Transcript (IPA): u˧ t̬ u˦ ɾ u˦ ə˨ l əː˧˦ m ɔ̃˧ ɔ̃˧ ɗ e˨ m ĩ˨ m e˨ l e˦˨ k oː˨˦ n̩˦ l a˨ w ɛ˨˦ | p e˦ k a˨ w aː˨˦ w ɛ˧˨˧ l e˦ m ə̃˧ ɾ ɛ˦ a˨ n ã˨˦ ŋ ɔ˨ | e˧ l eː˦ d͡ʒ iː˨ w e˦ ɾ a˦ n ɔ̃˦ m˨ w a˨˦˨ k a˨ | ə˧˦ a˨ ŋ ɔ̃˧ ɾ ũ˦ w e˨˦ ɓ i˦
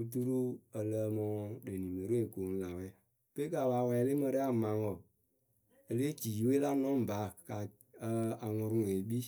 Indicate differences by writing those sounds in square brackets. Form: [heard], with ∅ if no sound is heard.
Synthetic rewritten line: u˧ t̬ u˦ ɾ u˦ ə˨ l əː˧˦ m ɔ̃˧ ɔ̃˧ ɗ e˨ [n] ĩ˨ m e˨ [ɾ] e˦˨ k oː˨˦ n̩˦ l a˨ w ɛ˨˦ | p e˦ k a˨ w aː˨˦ w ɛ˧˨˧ l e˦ m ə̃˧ ɾ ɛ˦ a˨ [m] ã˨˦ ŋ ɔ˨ | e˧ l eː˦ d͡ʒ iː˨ w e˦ [l] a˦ n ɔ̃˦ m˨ [b] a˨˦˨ k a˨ | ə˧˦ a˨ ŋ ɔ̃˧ ɾ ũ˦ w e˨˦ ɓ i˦

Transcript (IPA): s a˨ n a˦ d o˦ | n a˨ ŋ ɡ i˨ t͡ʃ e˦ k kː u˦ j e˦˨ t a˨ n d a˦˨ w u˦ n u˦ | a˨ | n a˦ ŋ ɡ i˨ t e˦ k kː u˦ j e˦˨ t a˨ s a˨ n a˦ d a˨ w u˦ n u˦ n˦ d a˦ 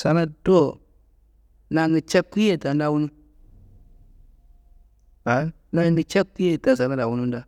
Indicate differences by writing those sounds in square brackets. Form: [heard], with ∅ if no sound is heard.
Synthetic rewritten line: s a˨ n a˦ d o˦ | n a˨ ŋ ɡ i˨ t͡ʃ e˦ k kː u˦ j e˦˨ t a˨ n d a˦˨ w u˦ n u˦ | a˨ | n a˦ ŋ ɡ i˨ [t͡ʃ] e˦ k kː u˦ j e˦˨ t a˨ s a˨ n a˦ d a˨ w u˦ n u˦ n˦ d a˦

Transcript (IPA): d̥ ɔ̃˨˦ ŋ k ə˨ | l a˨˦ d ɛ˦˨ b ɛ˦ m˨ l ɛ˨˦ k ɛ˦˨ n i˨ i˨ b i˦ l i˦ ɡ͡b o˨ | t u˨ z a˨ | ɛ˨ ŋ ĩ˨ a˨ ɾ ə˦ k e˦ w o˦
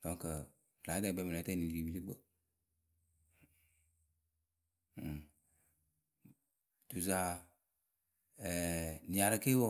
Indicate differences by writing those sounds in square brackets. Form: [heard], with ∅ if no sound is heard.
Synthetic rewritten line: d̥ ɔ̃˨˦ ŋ k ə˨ | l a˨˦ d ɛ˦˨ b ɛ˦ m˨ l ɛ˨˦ [t] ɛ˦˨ n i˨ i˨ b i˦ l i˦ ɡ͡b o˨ | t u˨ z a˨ | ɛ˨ [n] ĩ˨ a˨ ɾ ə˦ k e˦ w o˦

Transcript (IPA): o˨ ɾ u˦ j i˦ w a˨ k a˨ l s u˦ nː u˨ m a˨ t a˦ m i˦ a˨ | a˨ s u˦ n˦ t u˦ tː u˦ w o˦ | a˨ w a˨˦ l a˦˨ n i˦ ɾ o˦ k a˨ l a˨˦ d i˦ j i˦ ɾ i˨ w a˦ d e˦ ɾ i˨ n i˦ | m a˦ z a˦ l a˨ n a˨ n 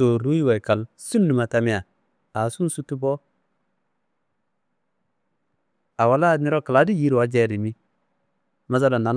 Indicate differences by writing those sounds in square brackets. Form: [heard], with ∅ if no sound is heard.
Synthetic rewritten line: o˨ ɾ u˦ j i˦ w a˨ k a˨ l s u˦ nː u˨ m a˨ t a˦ m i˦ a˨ | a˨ s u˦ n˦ [s] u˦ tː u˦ [b] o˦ | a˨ w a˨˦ l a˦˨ n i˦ ɾ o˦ k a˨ l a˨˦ d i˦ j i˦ ɾ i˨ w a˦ [d͡ʒ] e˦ ɾ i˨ [m] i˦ | m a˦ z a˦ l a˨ n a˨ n

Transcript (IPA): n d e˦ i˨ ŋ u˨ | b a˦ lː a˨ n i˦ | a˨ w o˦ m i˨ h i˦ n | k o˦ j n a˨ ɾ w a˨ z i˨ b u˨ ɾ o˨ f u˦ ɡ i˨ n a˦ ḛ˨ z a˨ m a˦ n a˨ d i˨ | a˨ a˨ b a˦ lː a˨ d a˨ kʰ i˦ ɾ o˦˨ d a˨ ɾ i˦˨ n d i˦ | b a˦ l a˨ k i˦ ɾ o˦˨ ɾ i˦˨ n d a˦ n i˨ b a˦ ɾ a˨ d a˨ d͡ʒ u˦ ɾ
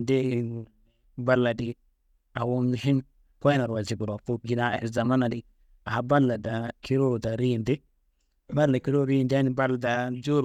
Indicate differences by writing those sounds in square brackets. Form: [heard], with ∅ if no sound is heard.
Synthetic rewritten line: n d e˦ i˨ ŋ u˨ | b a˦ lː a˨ [d] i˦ | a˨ w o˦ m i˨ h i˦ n | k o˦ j n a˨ ɾ w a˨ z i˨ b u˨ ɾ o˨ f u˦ ɡ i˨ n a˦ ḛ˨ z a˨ m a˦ n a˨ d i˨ | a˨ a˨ b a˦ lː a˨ d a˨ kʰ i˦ ɾ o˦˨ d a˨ ɾ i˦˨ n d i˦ | b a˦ l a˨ k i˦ ɾ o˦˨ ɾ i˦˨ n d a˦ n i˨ b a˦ [l] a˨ d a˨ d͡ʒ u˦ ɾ

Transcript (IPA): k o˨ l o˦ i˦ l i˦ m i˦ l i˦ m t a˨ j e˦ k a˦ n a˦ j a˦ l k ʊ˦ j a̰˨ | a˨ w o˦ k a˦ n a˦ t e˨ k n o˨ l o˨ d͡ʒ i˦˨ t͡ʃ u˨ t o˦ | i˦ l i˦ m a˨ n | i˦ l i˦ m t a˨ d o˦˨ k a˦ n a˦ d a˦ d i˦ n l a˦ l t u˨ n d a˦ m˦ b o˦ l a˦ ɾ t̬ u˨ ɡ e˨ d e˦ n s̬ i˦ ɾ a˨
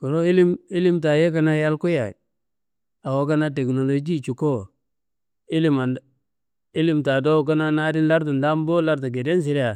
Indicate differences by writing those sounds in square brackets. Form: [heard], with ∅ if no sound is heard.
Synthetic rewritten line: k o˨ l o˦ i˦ l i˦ m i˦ l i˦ m t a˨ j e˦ k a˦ n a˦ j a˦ l k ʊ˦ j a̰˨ | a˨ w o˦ k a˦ n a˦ t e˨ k n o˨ l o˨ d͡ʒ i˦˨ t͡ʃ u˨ [k] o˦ | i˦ l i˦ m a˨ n | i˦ l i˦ m t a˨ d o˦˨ k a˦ n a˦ [n] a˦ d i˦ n l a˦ [ɾ] t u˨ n d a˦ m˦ b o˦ l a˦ ɾ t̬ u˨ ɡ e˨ d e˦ n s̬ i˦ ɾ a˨

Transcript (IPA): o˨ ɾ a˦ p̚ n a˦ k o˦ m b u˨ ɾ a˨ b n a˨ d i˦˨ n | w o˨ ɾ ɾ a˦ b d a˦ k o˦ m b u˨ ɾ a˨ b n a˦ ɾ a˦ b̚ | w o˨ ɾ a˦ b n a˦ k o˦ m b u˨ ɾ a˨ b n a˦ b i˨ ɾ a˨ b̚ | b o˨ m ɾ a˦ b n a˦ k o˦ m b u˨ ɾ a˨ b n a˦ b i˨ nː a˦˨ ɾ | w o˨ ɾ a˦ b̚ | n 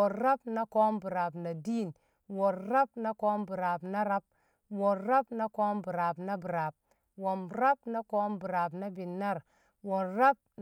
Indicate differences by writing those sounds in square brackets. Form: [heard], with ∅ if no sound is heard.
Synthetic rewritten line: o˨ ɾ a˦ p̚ n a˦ k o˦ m b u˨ ɾ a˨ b n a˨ d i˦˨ n | w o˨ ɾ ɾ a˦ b [n] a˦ k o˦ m b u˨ ɾ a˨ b n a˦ ɾ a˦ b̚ | w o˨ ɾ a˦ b n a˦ k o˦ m b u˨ ɾ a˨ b n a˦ b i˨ ɾ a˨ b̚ | [w] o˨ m ɾ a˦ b n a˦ k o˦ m b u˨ ɾ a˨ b n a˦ b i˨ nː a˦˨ ɾ | w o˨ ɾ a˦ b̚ | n

